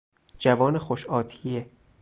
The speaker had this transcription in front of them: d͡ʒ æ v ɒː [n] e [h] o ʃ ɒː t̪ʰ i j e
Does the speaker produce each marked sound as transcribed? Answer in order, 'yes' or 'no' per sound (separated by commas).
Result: yes, no